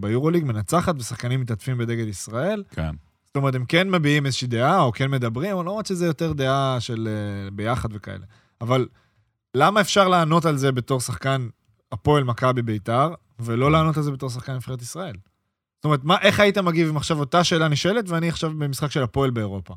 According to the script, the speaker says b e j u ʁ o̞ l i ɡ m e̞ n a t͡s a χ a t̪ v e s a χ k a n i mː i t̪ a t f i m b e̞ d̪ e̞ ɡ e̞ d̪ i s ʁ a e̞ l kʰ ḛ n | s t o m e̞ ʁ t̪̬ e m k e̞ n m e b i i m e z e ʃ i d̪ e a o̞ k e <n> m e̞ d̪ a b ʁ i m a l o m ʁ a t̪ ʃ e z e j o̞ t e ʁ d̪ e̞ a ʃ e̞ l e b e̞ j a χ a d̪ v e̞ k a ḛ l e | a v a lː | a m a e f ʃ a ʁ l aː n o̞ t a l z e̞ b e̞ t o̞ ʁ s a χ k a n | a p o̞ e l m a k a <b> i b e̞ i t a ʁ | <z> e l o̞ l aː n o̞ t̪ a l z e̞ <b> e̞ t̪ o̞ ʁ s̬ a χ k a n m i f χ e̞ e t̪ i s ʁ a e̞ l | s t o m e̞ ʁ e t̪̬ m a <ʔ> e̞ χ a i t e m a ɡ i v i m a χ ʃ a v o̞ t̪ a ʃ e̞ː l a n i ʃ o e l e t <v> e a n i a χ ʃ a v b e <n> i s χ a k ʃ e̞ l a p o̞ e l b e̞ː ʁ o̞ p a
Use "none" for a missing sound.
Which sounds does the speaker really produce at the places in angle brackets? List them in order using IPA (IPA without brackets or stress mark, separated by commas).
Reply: n, b, v, b, ʔ, v, m